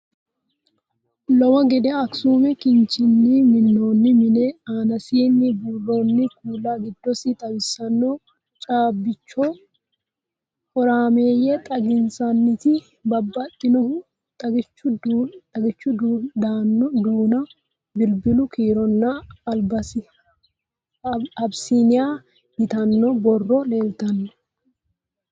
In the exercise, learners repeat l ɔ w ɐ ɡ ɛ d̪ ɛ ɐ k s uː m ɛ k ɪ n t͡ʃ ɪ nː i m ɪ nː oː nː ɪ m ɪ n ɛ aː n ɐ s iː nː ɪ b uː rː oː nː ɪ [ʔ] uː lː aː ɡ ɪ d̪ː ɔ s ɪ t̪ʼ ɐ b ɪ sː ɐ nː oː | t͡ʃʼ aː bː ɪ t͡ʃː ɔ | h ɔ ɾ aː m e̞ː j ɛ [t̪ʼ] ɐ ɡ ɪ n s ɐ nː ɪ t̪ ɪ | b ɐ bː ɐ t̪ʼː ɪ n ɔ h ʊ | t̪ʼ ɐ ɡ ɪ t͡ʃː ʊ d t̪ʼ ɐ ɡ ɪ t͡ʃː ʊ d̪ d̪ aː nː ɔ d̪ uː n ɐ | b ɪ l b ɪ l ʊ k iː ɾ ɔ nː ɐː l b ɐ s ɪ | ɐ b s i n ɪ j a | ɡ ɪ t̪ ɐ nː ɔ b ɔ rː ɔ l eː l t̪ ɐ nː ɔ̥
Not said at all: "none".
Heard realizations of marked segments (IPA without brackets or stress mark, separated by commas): k, t̪ʼ